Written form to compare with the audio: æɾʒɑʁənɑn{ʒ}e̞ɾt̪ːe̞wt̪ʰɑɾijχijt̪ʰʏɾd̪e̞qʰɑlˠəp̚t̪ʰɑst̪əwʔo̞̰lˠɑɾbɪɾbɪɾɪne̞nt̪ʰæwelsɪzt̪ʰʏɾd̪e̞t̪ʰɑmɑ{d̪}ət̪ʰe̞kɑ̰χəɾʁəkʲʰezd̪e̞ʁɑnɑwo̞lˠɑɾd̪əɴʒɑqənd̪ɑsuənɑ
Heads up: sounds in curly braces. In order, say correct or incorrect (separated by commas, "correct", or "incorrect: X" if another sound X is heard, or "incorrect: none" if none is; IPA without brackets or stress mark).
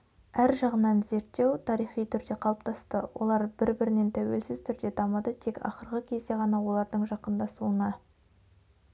incorrect: z, correct